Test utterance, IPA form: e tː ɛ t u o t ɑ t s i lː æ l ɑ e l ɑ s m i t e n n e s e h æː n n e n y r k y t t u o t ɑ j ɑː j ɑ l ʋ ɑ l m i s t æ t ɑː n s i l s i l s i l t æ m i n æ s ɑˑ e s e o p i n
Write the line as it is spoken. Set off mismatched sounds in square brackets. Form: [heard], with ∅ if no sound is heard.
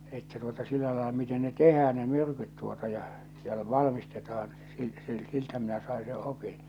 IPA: e tː [æ] t u o t ɑ [∅] s i lː æ l ɑ e l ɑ [∅] m i t e n n e [t] e h æː n n e [m] y r k y t t u o t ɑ j [ɑ] j ɑ l ʋ ɑ l m i s t [e] t ɑː n s i l s i l s i l t æ m i n æ s ɑˑ e s e o p i n